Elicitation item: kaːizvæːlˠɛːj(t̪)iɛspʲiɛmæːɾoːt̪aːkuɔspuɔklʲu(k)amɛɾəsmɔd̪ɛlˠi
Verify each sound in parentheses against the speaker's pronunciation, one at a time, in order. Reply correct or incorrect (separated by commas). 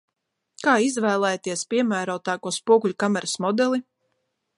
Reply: correct, correct